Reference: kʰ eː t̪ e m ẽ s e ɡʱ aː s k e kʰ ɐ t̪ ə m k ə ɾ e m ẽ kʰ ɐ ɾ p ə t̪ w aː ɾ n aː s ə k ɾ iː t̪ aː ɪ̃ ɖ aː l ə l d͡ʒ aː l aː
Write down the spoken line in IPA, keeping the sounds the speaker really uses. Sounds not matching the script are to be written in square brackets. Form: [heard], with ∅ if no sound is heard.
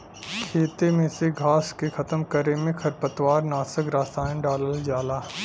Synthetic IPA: kʰ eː t̪ e m ẽ s e ɡʱ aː s k e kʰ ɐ t̪ ə m k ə ɾ e m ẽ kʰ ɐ ɾ p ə t̪ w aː ɾ n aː s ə k ɾ [aː] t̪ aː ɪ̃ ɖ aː l ə l d͡ʒ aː l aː

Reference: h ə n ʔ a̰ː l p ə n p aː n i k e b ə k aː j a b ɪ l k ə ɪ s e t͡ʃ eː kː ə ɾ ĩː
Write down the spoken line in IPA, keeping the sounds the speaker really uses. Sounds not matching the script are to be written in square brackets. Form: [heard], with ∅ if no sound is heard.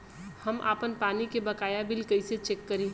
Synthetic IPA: h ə [m] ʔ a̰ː [∅] p ə n p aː n i k e b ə k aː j a b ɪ l k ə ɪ s e t͡ʃ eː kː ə ɾ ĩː

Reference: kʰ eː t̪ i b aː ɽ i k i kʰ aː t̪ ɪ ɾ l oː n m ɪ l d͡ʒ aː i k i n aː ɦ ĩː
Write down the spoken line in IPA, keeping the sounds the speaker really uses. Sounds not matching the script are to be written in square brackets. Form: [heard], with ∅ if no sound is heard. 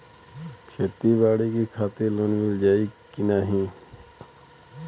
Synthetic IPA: kʰ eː t̪ i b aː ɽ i k i kʰ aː t̪ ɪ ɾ l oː n m ɪ l d͡ʒ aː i k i n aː ɦ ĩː

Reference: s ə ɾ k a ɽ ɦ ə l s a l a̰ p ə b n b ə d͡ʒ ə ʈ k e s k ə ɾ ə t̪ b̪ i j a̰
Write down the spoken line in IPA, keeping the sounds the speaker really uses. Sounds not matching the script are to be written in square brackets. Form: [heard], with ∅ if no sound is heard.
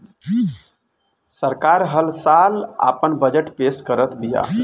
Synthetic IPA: s ə ɾ k a [ɾ] ɦ ə l s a l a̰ p ə [∅] n b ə d͡ʒ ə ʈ [p] e s k ə ɾ ə t̪ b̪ i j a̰

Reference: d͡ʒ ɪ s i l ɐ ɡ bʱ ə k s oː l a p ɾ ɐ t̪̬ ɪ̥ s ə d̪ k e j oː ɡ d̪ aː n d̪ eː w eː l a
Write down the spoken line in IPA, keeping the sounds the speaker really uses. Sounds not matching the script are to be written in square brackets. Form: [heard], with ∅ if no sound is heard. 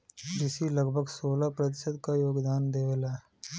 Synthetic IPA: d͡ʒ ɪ s i l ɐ ɡ bʱ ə [ɡ] s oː l a p ɾ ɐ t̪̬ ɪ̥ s ə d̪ k [a] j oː ɡ d̪ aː n d̪ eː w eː l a

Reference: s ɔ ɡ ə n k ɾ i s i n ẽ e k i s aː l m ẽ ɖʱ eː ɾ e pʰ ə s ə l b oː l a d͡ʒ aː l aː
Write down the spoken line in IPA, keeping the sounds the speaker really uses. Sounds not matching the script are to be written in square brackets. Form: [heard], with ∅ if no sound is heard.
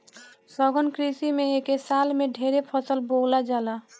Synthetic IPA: s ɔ ɡ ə n k ɾ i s i [m] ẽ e k [e] s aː l m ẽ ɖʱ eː ɾ e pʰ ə s ə l b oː l a d͡ʒ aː l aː

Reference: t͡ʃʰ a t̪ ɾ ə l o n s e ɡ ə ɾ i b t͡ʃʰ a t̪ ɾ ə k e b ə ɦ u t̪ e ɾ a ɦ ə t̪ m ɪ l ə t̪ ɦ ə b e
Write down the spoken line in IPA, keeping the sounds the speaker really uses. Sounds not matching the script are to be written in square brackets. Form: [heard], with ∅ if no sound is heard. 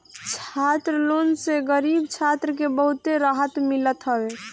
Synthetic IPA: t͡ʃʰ a t̪ ɾ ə l o n s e ɡ ə ɾ i b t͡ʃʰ a t̪ ɾ ə k e b ə ɦ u t̪ e ɾ a ɦ ə t̪ m [i] l ə t̪ ɦ ə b e

